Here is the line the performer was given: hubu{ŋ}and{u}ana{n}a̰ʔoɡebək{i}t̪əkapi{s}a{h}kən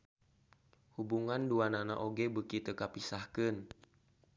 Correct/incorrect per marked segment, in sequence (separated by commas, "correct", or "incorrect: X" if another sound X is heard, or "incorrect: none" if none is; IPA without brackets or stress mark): correct, correct, correct, correct, correct, correct